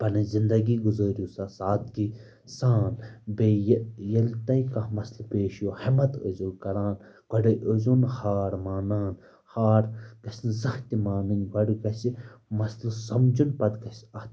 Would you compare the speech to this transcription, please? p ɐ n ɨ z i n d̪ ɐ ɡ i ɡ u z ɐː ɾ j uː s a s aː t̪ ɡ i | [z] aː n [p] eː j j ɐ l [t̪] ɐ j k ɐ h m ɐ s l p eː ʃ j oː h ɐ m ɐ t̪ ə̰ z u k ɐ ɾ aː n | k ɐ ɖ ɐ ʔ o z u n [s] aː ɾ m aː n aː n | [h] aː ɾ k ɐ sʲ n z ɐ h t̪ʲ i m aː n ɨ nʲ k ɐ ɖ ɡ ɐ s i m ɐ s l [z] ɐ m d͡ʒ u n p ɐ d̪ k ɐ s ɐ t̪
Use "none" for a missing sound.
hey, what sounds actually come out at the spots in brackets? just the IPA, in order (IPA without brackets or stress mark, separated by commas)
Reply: s, b, t̪, h, h, s